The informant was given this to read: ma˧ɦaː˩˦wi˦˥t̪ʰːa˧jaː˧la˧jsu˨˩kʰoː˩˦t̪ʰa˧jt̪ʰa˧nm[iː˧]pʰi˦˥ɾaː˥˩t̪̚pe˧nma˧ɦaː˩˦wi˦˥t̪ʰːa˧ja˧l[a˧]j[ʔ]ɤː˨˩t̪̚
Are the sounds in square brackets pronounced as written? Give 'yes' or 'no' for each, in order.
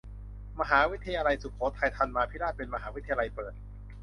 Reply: no, yes, no

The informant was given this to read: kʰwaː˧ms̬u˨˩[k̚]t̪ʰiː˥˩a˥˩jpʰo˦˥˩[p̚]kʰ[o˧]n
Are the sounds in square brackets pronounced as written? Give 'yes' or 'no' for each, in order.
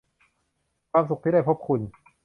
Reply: yes, yes, no

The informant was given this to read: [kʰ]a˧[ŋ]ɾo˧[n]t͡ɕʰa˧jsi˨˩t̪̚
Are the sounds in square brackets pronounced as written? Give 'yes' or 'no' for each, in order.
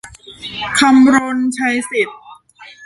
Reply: yes, no, yes

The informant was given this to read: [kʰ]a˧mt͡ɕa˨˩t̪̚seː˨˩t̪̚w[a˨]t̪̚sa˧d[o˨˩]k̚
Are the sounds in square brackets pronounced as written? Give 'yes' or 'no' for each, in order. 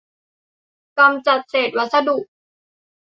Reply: no, no, no

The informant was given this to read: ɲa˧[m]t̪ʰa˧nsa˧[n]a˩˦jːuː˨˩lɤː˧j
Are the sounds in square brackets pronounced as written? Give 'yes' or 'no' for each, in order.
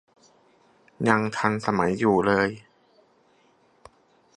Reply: no, no

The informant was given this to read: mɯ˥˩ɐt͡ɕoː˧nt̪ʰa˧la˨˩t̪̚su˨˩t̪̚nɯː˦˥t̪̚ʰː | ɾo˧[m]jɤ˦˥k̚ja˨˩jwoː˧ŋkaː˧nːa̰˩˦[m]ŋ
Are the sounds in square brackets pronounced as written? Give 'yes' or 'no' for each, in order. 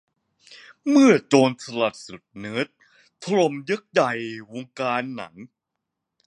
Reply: yes, no

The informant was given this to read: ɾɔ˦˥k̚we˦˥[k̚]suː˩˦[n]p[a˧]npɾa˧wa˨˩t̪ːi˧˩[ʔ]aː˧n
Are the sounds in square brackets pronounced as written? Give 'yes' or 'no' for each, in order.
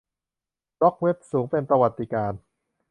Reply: no, no, no, no

